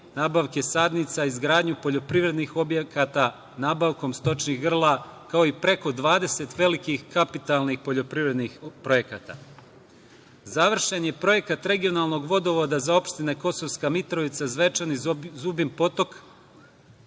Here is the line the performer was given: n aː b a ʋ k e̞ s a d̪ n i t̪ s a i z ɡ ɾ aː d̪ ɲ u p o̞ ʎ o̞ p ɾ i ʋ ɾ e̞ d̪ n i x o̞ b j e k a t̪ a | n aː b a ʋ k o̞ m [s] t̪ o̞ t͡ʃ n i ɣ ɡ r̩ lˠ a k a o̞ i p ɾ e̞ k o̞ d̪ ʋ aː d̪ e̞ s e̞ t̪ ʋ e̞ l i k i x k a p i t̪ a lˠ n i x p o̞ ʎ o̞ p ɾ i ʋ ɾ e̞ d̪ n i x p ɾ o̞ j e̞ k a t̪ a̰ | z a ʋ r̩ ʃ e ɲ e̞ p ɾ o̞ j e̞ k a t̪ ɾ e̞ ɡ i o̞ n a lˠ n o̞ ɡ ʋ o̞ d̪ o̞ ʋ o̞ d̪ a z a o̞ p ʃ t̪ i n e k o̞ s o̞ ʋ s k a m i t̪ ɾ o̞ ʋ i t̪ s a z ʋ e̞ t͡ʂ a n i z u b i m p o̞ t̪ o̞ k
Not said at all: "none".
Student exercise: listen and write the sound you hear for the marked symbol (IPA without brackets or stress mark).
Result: s